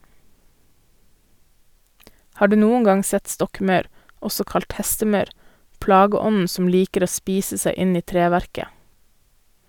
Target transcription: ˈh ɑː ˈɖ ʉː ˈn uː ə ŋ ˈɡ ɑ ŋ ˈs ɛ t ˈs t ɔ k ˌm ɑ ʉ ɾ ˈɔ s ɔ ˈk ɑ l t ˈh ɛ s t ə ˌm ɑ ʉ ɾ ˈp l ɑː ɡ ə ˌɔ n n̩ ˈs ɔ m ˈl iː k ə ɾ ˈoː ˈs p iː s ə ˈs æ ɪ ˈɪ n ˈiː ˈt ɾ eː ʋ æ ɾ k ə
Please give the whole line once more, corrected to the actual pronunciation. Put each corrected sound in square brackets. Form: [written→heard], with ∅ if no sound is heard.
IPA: ˈh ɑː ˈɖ ʉː ˈn uː ə ŋ ˈɡ ɑ ŋ ˈs ɛ t ˈs t ɔ k ˌm ɑ ʉ ɾ ˈɔ s ɔ ˈk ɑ l t ˈh ɛ s t ə ˌm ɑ ʉ ɾ ˈp l ɑː ɡ ə ˌɔ n n̩ ˈs ɔ m ˈl iː k ə ɾ ˈoː ˈs p iː s ə ˈs æ ɪ ˈɪ n ˈiː ˈt ɾ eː ʋ æ ɾ k ə